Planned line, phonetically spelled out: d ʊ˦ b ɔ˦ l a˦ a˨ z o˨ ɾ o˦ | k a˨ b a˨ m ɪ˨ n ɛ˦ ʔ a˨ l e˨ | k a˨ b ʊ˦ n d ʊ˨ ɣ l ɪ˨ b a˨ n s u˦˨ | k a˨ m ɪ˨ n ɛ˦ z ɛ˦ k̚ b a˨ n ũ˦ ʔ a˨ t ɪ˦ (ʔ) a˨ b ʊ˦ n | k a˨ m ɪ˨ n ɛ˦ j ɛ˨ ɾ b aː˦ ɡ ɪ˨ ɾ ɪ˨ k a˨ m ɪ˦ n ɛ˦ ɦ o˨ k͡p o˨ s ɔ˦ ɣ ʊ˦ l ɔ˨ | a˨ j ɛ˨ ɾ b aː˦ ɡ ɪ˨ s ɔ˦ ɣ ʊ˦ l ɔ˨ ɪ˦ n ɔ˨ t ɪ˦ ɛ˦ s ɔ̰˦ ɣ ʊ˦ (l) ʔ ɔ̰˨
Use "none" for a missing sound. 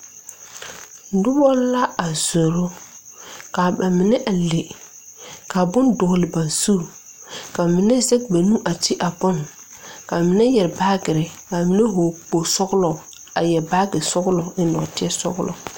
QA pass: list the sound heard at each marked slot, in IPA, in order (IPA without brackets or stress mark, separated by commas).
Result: ʔ, l